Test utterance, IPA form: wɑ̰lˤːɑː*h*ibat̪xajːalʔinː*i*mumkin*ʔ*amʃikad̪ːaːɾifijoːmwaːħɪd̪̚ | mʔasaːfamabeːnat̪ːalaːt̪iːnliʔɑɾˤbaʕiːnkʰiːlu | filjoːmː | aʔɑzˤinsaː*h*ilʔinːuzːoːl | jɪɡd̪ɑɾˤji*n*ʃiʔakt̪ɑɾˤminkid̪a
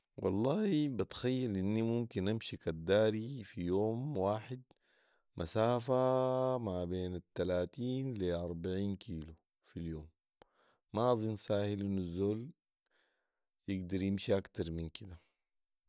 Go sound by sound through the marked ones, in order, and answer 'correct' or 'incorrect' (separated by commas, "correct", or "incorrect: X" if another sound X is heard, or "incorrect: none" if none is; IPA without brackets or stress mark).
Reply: correct, correct, correct, correct, incorrect: m